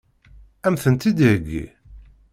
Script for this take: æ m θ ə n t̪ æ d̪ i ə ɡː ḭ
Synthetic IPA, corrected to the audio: æ m θ ə n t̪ i d̪ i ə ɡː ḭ